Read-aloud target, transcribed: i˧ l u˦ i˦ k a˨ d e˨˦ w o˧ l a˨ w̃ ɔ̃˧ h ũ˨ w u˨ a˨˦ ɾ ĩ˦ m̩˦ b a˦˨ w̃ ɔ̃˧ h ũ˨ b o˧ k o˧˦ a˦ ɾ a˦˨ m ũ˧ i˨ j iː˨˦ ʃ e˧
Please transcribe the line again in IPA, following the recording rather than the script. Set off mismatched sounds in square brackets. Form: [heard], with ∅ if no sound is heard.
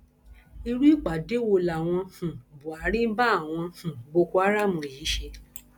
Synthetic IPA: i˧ [ɾ] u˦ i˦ [k͡p] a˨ d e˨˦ w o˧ l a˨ w̃ ɔ̃˧ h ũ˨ [b] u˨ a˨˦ ɾ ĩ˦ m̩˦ b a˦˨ w̃ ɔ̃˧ h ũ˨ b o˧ k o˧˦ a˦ ɾ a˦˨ m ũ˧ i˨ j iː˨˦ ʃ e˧